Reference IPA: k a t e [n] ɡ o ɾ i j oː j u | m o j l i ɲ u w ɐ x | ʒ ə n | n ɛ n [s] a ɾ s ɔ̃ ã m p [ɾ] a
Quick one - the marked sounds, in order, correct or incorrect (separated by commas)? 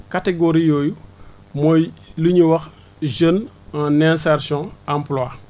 incorrect, correct, incorrect